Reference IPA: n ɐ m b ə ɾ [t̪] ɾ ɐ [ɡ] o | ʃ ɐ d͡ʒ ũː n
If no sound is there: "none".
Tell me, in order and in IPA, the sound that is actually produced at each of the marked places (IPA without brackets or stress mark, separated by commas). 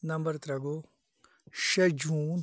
t̪, ɡ